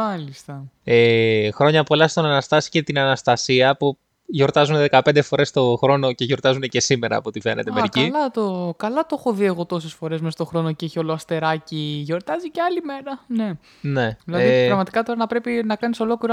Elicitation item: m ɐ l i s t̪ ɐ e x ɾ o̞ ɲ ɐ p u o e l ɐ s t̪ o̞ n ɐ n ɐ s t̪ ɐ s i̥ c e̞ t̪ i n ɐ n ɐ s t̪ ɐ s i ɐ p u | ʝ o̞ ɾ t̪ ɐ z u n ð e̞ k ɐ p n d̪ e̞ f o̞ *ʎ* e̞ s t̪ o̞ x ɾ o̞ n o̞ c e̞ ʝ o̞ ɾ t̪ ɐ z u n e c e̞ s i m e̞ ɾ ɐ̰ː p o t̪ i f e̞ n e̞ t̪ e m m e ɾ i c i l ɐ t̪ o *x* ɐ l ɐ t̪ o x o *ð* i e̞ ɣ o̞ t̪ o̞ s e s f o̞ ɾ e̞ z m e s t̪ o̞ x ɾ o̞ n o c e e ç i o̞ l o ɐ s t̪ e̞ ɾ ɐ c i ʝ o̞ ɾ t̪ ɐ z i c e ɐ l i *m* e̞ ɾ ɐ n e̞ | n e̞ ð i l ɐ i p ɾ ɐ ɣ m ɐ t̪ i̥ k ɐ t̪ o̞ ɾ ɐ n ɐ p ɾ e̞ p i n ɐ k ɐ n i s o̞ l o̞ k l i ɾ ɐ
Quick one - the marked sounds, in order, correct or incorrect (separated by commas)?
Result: incorrect, incorrect, correct, correct